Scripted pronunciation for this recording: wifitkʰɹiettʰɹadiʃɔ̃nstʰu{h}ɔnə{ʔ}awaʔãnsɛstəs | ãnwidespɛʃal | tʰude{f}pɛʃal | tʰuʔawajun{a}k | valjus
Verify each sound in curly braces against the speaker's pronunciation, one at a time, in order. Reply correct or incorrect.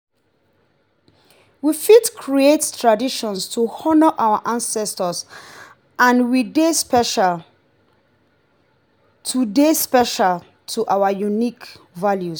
correct, correct, incorrect, incorrect

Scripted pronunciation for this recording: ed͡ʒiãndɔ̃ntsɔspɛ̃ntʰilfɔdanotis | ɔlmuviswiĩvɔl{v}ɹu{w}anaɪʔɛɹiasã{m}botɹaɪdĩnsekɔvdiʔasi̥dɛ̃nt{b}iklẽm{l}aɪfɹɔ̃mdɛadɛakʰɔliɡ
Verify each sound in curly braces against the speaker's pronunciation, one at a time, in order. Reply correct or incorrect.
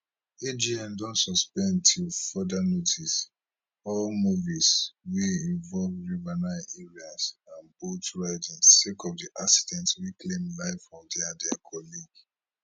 correct, incorrect, incorrect, incorrect, correct

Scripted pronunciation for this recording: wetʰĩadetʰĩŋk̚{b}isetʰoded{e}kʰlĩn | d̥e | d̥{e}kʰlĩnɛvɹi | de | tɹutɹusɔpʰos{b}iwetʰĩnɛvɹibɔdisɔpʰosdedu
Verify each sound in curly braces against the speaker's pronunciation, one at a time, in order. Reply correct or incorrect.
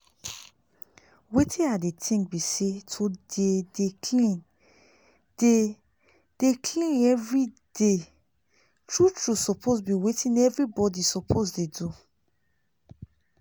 correct, correct, correct, correct

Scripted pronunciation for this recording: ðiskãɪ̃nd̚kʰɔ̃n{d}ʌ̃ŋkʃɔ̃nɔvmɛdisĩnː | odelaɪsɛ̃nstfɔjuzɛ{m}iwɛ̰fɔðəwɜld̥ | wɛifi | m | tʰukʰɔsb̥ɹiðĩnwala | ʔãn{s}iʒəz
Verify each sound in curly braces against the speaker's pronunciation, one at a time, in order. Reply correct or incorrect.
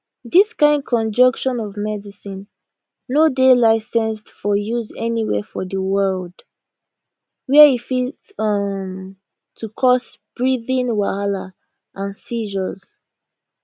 incorrect, incorrect, correct

